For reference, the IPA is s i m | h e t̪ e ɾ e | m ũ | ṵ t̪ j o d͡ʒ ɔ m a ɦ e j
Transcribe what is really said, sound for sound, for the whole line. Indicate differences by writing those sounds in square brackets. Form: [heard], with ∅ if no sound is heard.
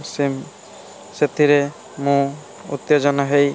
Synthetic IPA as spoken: s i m | [s] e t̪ [i] ɾ e | m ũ | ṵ t̪ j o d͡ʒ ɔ [n] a ɦ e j

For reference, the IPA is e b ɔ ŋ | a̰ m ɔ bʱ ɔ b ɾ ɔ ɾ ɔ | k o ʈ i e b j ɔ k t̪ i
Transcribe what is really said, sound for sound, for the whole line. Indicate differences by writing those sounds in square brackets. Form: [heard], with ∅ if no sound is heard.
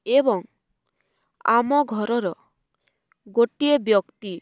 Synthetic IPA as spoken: e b ɔ ŋ | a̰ m ɔ [ɡʱ] ɔ [∅] ɾ ɔ ɾ ɔ | [ɡ] o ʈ i e b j ɔ k t̪ i

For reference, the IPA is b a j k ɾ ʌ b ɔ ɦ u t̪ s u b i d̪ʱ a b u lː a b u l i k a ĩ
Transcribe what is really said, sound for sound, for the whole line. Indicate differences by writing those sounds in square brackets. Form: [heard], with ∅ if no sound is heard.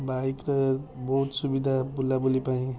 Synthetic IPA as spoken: b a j k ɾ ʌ b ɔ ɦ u t̪ s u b i d̪ʱ a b u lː a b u l i [p] a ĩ

